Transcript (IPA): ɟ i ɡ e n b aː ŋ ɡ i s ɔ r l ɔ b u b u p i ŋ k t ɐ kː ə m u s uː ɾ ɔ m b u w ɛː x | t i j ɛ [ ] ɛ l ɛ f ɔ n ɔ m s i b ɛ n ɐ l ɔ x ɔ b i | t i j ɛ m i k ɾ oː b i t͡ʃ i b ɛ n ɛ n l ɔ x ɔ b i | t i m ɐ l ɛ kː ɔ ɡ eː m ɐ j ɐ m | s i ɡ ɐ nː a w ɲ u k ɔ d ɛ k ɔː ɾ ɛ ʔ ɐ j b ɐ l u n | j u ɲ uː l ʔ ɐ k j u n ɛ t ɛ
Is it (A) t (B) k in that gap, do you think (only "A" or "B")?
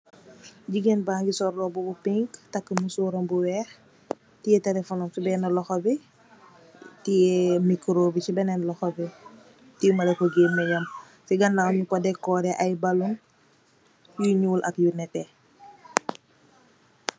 A